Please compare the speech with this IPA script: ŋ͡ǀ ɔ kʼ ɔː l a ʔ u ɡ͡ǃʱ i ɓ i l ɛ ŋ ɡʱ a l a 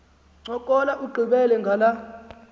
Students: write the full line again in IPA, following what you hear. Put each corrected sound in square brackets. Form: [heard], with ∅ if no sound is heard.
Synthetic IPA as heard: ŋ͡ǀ ɔ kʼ [ɔ] l a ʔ u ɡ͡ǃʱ i ɓ [ɛ] l ɛ ŋ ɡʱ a l a